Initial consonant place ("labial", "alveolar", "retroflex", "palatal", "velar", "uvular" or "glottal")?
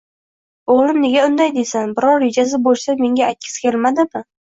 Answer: uvular